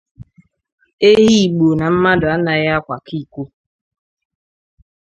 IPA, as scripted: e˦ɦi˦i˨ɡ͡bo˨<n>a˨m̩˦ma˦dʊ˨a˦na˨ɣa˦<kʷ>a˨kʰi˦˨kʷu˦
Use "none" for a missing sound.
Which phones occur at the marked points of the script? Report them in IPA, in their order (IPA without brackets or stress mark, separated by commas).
n, kʷ